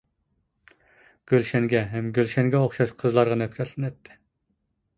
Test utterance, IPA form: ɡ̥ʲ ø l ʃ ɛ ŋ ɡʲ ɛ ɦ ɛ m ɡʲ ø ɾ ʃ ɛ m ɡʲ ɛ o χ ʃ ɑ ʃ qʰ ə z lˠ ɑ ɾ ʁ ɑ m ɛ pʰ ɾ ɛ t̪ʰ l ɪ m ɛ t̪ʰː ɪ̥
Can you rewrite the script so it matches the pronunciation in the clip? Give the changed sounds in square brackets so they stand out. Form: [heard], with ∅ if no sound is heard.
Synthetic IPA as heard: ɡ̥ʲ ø l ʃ ɛ ŋ ɡʲ ɛ ɦ ɛ m ɡʲ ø [l] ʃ ɛ [ŋ] ɡʲ ɛ o χ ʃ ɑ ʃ qʰ ə z lˠ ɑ ɾ ʁ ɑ [n] ɛ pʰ ɾ ɛ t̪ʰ l ɪ [n] ɛ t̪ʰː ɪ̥